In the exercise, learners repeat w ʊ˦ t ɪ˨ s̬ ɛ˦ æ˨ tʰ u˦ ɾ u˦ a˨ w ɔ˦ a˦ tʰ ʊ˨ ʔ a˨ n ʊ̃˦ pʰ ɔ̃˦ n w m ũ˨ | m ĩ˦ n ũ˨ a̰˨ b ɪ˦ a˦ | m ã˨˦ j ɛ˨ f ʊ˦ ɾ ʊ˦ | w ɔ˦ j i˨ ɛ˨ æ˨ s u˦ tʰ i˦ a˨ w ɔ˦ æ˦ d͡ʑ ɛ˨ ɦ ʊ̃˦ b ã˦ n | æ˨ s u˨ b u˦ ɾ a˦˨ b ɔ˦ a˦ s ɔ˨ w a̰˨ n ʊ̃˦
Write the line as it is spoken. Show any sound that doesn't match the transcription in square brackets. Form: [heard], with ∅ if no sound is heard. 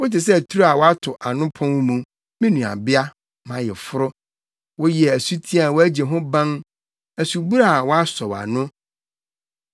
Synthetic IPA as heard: w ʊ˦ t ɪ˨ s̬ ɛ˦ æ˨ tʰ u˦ ɾ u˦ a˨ w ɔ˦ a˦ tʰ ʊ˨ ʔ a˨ n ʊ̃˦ pʰ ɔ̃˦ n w m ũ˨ | m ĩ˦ n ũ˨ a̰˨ b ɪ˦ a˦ | m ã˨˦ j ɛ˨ f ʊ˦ ɾ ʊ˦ | w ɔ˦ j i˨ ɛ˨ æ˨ s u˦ tʰ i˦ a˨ w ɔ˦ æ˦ d͡ʑ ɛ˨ ɦ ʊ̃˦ b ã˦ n | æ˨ s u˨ b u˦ ɾ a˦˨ [w] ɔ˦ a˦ s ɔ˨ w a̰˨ n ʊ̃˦